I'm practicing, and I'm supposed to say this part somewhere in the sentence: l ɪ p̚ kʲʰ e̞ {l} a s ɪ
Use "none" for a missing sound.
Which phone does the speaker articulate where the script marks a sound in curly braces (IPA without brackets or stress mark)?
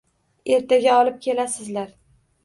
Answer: l